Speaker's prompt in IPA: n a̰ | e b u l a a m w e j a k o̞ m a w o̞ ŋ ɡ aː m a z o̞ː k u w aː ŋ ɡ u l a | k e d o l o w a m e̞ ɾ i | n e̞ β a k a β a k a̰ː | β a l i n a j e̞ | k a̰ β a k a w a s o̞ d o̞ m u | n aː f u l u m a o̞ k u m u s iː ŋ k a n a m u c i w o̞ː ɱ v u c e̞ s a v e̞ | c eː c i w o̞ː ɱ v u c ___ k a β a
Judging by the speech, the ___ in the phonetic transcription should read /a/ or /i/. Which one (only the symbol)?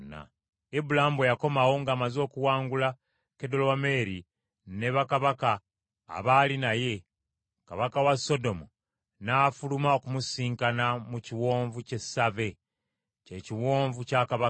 a